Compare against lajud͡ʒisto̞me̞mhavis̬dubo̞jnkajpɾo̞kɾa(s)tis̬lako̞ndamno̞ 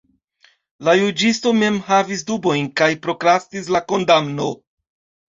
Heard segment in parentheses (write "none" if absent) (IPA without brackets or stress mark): s